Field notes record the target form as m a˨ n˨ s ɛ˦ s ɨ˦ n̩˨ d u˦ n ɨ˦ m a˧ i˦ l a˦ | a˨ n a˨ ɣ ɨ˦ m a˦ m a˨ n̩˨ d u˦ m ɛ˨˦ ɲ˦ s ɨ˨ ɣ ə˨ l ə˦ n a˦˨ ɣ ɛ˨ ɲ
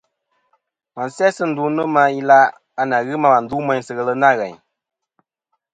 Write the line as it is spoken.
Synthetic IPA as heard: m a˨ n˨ s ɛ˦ s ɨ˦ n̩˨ d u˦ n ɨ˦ m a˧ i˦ l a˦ | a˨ n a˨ ɣ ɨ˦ m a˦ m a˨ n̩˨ d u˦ m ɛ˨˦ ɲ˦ s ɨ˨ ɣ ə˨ l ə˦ n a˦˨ ɣ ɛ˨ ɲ